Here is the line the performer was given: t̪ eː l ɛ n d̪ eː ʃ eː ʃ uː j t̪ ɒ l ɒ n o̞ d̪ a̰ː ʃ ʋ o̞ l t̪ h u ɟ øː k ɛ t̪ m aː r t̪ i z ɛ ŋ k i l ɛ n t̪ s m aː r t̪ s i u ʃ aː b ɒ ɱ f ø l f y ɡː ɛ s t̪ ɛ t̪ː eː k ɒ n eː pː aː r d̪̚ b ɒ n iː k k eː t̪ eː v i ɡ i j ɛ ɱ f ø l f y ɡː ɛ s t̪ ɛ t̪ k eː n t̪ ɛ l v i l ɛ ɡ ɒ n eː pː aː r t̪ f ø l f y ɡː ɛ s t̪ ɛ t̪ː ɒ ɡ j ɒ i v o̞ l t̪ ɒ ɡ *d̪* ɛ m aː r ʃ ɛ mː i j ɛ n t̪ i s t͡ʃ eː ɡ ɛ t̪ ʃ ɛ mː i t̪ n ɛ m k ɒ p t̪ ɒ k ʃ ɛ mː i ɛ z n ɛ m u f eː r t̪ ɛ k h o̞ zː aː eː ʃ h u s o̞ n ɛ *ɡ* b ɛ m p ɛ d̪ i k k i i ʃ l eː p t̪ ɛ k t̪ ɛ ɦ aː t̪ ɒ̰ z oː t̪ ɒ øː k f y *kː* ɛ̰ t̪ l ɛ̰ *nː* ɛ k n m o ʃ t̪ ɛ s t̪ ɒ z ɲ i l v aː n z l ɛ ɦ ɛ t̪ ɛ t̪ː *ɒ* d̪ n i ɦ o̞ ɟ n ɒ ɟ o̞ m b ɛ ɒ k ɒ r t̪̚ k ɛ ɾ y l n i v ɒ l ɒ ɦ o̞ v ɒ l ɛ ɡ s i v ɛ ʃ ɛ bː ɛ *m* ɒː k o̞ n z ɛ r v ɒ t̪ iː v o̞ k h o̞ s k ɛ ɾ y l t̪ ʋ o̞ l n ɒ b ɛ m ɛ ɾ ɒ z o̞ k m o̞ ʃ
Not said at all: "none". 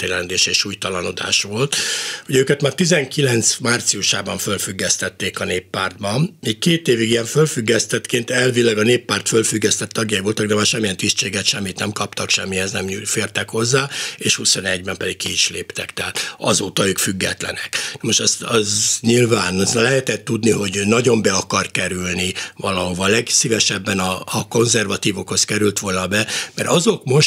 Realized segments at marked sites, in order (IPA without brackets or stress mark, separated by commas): d̪, ɟ, ɡː, n, u, n